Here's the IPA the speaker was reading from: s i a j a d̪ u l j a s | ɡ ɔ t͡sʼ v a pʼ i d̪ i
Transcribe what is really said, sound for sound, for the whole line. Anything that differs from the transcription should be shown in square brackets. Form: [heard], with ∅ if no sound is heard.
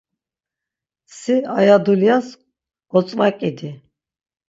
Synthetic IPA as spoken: s i a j a d̪ u l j a s | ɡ ɔ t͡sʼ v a [kʼ] i d̪ i